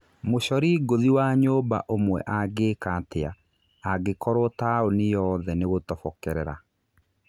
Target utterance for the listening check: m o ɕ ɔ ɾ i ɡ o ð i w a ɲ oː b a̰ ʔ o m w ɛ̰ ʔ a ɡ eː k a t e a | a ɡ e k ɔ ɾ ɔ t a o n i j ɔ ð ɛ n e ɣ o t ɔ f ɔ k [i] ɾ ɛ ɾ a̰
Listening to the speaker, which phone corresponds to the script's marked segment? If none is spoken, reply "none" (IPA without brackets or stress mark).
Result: ɛ